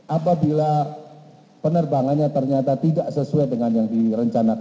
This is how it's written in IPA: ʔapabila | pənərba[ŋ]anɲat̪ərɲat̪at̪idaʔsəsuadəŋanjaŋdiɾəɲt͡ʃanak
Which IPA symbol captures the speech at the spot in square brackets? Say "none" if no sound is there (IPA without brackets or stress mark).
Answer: ŋ